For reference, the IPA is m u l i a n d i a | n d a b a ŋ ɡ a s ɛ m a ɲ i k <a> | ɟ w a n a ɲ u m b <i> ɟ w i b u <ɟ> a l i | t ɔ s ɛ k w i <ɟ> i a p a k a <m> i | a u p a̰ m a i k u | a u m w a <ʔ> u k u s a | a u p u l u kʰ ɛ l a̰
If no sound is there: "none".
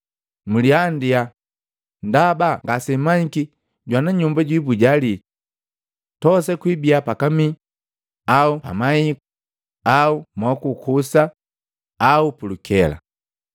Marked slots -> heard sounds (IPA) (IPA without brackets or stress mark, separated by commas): i, a, ɟ, b, m, k